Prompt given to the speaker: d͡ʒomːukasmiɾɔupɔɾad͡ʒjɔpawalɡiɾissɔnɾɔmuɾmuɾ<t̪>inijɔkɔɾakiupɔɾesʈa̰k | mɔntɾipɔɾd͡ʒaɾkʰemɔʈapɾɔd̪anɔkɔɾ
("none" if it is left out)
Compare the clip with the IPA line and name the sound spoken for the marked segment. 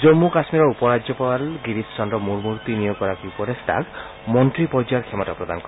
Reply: t̪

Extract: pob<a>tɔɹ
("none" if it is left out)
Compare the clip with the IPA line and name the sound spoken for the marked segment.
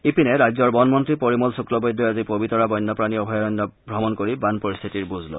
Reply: i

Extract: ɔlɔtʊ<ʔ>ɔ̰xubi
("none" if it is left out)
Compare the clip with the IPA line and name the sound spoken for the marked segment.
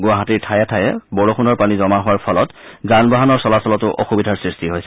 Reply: ʔ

